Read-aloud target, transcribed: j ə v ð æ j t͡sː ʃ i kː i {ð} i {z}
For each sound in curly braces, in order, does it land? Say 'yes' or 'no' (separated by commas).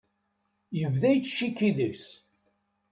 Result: yes, no